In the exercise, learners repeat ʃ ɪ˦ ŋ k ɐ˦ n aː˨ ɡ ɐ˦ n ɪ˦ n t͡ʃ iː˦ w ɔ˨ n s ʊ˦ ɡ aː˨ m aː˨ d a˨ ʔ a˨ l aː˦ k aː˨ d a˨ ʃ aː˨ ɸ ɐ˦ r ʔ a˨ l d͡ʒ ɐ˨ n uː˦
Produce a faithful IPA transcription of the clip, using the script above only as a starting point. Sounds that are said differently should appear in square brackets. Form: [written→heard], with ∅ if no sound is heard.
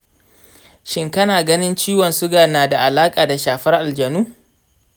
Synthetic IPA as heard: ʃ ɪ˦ ŋ k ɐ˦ n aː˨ ɡ ɐ˦ n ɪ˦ n t͡ʃ iː˦ w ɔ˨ n s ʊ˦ ɡ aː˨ [m→n] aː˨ d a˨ ʔ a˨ l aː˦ [k→kʼ] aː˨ d a˨ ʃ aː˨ ɸ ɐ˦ r ʔ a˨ l d͡ʒ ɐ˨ n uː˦